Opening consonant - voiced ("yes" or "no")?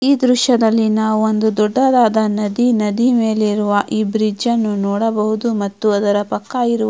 yes